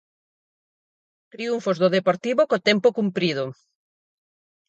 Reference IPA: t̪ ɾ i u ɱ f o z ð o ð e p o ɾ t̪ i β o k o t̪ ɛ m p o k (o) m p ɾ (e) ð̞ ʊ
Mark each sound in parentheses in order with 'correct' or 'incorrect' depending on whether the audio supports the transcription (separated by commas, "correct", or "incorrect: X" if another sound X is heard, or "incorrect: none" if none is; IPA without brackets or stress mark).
incorrect: u, incorrect: i